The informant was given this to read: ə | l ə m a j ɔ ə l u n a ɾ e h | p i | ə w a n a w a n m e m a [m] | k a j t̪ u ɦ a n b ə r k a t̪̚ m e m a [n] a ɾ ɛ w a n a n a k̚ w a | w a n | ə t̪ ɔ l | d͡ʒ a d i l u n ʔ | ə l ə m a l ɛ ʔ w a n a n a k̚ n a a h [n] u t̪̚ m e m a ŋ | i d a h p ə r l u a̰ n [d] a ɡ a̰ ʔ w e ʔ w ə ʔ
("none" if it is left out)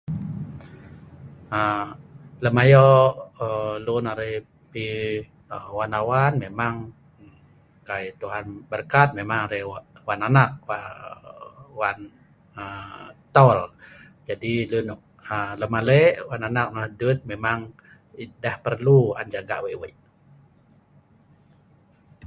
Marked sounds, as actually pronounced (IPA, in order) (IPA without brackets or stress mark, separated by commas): ŋ, ŋ, d, d͡ʒ